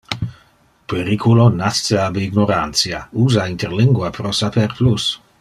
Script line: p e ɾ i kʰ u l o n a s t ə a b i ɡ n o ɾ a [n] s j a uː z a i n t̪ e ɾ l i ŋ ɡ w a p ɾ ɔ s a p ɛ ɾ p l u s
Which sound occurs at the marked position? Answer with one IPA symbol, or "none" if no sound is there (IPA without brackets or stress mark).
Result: n